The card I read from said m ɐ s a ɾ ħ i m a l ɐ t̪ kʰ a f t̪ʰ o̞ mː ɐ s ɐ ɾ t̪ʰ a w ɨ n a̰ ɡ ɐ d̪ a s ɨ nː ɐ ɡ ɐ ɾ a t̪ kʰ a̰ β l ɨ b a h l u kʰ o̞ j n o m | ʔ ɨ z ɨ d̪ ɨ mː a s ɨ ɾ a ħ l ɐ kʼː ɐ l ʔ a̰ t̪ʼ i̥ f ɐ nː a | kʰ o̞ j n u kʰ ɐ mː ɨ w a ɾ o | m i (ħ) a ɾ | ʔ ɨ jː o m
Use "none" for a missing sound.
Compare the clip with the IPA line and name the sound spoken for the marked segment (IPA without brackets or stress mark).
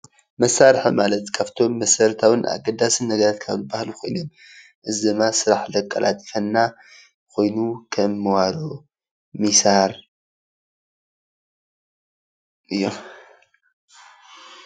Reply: s